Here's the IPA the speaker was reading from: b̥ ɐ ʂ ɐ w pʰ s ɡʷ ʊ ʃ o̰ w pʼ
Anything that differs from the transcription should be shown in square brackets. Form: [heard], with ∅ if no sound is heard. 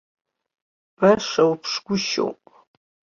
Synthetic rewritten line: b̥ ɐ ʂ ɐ w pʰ [ʂ] ɡʷ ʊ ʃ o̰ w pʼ